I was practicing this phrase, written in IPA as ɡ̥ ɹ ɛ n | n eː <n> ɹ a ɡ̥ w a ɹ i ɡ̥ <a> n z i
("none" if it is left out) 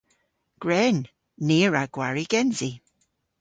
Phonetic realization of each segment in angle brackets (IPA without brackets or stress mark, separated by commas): none, ɛ